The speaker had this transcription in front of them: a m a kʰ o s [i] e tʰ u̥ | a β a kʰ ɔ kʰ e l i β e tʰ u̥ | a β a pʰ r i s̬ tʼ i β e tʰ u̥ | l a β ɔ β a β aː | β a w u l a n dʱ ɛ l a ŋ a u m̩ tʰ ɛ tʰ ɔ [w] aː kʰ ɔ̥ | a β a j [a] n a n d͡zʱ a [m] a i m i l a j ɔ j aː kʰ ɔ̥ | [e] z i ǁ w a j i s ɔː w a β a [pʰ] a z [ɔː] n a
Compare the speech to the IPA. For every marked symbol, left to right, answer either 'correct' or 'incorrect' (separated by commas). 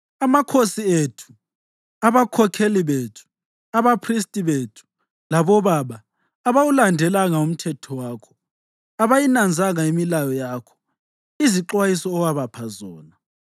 correct, correct, incorrect, incorrect, incorrect, correct, correct